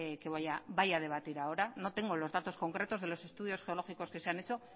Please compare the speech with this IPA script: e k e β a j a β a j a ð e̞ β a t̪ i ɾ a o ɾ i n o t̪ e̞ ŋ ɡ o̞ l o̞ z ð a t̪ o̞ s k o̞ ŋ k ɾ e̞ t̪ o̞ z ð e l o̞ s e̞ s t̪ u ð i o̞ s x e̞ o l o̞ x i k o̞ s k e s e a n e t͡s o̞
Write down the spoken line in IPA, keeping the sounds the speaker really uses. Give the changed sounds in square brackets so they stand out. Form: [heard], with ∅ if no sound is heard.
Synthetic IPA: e k e β a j a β a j a ð e̞ β a t̪ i ɾ a o ɾ [a] n o t̪ e̞ ŋ ɡ o̞ l o̞ z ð a t̪ o̞ s k o̞ ŋ k ɾ e̞ t̪ o̞ z ð e l o̞ s e̞ s t̪ u ð i o̞ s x e̞ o l o̞ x i k o̞ s k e s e a n e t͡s o̞